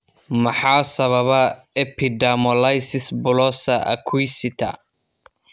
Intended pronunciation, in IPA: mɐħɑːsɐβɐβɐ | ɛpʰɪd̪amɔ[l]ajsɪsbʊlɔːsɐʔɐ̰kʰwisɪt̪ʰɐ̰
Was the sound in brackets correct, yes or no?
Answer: yes